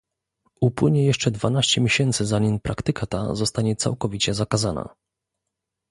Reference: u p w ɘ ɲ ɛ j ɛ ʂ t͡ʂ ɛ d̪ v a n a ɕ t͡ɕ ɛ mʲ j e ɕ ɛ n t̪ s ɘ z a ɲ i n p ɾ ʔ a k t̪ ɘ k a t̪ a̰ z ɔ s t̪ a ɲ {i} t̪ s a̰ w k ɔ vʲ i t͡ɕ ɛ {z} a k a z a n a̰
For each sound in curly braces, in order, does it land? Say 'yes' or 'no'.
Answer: no, yes

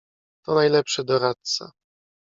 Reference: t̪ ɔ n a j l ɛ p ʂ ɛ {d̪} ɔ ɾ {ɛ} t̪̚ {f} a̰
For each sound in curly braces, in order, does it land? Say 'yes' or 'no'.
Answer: yes, no, no

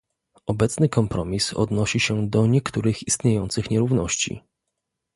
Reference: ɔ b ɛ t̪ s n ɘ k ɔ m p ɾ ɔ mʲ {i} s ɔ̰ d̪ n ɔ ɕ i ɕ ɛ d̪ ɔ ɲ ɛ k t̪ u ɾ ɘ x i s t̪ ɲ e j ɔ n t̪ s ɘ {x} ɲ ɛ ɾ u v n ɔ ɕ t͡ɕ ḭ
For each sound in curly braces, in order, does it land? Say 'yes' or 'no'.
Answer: yes, yes

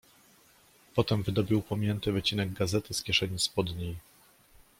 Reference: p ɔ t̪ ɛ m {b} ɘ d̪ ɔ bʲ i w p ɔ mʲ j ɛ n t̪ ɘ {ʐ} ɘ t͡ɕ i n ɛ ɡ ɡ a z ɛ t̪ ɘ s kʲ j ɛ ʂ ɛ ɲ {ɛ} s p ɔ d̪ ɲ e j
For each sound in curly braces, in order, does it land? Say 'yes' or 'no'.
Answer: no, no, no

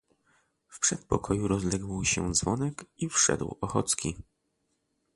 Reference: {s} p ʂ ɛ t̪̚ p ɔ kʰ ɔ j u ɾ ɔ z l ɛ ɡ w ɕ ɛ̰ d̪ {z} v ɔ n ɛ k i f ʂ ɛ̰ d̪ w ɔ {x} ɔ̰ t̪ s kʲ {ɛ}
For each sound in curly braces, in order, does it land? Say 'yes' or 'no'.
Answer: no, yes, yes, no

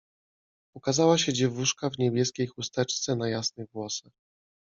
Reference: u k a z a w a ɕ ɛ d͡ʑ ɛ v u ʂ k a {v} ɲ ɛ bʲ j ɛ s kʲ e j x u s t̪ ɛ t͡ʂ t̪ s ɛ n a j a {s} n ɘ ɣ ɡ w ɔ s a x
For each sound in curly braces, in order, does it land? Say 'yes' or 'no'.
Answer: yes, yes

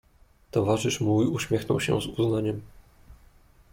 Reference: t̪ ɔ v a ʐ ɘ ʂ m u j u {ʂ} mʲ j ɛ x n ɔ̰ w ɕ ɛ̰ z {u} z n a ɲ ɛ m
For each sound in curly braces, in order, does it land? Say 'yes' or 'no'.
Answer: no, yes

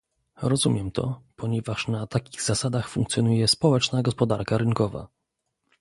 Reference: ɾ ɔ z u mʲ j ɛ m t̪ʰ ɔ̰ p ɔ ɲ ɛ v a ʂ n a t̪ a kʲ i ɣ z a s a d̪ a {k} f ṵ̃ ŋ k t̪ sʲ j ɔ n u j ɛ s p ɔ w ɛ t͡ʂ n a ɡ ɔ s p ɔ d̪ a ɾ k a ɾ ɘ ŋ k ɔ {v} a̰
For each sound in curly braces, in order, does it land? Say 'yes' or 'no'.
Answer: no, yes

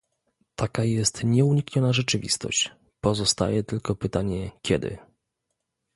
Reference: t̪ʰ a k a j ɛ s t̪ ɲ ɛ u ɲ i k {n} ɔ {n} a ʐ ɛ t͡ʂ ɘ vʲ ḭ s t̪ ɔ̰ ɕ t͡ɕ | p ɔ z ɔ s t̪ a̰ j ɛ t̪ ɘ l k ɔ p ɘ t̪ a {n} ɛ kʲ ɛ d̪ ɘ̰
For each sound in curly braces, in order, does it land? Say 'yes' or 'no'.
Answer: no, yes, no

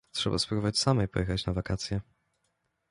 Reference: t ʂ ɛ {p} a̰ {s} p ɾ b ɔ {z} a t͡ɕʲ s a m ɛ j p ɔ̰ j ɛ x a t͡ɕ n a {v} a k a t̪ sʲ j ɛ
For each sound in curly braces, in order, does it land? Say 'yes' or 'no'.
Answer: no, yes, no, yes

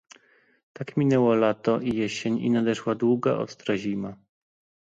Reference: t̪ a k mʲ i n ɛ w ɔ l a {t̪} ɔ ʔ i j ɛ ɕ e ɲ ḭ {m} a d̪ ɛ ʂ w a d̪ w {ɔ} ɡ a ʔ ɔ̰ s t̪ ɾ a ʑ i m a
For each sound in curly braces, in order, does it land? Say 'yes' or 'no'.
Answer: yes, no, no

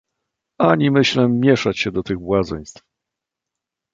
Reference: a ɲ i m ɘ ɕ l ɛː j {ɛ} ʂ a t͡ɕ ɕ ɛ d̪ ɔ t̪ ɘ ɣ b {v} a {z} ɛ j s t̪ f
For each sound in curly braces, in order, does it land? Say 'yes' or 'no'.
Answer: yes, no, yes

